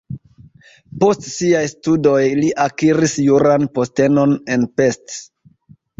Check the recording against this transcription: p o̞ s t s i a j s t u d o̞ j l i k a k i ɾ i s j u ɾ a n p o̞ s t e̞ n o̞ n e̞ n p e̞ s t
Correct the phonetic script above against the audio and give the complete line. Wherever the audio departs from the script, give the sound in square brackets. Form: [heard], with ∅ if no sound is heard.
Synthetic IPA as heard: p o̞ s t s i a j s t u d o̞ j l i [ʔ] a k i ɾ i s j u ɾ a n p o̞ s t e̞ n o̞ n e̞ n p e̞ s t